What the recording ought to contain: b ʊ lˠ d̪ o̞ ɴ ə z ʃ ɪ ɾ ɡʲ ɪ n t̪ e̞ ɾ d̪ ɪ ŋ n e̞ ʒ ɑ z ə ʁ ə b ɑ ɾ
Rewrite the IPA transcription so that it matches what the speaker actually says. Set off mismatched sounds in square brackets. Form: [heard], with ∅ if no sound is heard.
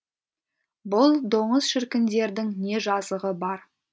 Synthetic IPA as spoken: b ʊ lˠ d̪ o̞ ɴ ə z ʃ ɪ ɾ [kʲ] ɪ n [d̪] e̞ ɾ d̪ ɪ ŋ n e̞ ʒ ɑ z ə ʁ ə b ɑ ɾ

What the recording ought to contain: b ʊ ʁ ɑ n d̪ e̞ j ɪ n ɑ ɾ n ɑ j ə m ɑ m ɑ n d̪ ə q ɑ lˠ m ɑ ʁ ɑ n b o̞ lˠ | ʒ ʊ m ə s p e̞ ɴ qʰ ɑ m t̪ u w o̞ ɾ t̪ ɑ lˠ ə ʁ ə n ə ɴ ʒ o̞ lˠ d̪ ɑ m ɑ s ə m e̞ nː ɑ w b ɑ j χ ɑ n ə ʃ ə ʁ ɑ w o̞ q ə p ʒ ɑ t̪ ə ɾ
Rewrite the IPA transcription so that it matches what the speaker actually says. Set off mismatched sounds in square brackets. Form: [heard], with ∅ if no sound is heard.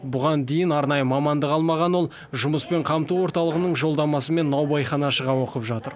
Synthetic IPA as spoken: b ʊ ʁ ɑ n d̪ e̞ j ɪ n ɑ ɾ n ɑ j ə m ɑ m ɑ n d̪ ə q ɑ lˠ m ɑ ʁ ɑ n [w] o̞ lˠ | ʒ ʊ m ə s p e̞ ɴ qʰ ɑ m t̪ u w o̞ ɾ t̪ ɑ lˠ ə ʁ ə n ə ɴ ʒ o̞ lˠ d̪ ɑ m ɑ s ə m e̞ nː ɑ w b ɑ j χ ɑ n [ɑ] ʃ ə ʁ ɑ w o̞ q ə p ʒ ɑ t̪ ə ɾ

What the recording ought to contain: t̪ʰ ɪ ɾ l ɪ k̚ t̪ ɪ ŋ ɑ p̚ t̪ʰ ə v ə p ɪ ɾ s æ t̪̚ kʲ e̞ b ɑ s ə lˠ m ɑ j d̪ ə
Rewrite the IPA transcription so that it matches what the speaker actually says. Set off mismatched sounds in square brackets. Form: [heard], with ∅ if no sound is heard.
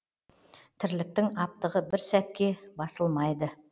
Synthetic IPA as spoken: t̪ʰ ɪ ɾ l ɪ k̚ t̪ ɪ ŋ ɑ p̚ [t̪] ə [ʁ] ə [b] ɪ ɾ s æ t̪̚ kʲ e̞ b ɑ s ə lˠ m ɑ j d̪ ə

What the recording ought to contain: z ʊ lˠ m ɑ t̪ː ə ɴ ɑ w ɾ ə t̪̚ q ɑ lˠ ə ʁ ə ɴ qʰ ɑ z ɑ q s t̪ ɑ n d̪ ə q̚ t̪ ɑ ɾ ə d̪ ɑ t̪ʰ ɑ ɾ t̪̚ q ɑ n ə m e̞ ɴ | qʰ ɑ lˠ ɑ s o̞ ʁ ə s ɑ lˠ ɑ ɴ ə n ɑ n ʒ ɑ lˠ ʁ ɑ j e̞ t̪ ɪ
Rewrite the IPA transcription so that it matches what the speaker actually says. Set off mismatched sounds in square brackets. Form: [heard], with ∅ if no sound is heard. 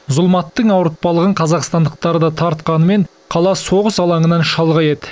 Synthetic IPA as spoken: z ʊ lˠ m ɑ t̪ː ə ɴ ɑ w ɾ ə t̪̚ [p] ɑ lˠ ə ʁ ə ɴ qʰ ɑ z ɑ q s t̪ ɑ n d̪ ə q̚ t̪ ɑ ɾ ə d̪ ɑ t̪ʰ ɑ ɾ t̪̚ q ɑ n ə m e̞ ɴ | qʰ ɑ lˠ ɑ s o̞ ʁ ə s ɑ lˠ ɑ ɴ ə n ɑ n [ʃ] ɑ lˠ ʁ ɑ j e̞ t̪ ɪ

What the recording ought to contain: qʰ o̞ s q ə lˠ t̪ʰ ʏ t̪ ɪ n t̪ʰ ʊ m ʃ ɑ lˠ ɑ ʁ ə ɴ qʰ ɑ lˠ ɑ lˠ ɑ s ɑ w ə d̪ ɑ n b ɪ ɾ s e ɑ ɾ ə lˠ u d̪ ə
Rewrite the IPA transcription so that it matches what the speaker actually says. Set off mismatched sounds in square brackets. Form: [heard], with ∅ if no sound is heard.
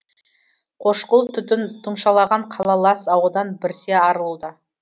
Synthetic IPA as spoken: qʰ o̞ [ʃ] q ə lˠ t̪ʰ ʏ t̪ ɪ n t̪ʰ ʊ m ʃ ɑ lˠ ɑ ʁ [ɑ] ɴ qʰ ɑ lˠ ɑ lˠ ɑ s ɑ w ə d̪ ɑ n b ɪ ɾ s e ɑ ɾ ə lˠ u d̪ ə

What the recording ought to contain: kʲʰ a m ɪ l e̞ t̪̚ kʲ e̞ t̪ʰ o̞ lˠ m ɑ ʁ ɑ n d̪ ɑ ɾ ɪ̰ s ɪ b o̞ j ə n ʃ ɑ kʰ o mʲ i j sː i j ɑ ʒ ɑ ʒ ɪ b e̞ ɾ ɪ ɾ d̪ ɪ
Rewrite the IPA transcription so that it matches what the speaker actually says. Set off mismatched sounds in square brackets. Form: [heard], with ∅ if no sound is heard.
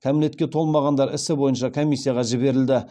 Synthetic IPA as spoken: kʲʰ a m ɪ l e̞ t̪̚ kʲ e̞ t̪ʰ o̞ lˠ m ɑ ʁ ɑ n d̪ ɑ ɾ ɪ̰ s ɪ b o̞ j ə n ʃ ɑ kʰ o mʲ i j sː i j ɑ [ʁ] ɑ ʒ ɪ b e̞ ɾ ɪ [l] d̪ ɪ

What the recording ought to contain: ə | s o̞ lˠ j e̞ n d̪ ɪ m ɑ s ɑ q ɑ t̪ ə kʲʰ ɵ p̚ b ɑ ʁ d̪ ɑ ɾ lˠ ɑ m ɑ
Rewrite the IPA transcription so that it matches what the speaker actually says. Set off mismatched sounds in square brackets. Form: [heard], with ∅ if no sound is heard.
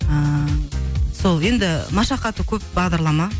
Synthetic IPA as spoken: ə | s o̞ lˠ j e̞ n d̪ ɪ m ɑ [ʃ] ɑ q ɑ t̪ ə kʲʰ ɵ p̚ b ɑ ʁ d̪ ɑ ɾ lˠ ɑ m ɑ

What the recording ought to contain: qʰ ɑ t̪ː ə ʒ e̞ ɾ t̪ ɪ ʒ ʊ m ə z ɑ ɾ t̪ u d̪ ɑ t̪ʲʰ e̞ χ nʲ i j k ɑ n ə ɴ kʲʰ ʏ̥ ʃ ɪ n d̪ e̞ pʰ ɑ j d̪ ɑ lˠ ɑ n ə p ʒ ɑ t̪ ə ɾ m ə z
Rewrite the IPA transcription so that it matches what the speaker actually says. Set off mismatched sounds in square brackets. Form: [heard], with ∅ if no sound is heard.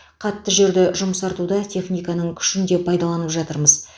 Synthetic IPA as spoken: qʰ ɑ t̪ː ə ʒ e̞ ɾ [d̪] ɪ ʒ ʊ m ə [s] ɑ ɾ t̪ u d̪ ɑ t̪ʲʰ e̞ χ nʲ i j k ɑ n ə ɴ kʲʰ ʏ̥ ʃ ɪ n d̪ e̞ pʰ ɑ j d̪ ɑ lˠ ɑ n ə p ʒ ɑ t̪ ə ɾ m ə z

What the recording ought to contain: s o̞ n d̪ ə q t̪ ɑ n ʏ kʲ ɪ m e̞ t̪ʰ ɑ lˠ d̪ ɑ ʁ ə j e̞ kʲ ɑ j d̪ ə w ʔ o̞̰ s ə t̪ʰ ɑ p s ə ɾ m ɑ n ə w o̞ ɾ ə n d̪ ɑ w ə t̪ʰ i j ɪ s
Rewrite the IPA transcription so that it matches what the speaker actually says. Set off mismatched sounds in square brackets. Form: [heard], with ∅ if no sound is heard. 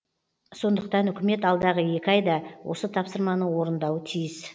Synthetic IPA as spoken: s o̞ n d̪ ə q t̪ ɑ n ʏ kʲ ɪ m e̞ [t̪] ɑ lˠ d̪ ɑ ʁ ə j e̞ kʲ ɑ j d̪ [ɑ] w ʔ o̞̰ s ə t̪ʰ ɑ p s ə ɾ m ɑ n ə w o̞ ɾ ə n d̪ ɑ w ə t̪ʰ i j ɪ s

